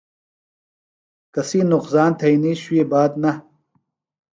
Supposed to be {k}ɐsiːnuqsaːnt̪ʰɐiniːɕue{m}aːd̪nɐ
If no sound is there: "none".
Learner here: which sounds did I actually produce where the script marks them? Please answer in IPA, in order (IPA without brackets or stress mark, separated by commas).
k, b